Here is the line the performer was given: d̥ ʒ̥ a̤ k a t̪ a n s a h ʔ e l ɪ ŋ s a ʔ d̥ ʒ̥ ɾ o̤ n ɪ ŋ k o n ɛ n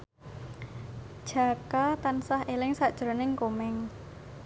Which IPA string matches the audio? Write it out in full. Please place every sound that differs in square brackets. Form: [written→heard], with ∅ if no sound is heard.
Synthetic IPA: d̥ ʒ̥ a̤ k a t̪ a n s a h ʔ e l ɪ ŋ s a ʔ d̥ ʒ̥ ɾ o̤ n ɪ ŋ k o [n→m] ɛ [n→ŋ]